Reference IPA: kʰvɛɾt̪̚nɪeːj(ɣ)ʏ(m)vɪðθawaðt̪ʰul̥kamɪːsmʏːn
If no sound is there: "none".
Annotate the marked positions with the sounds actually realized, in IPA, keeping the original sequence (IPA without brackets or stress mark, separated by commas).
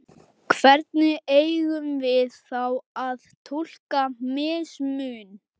ɣ, m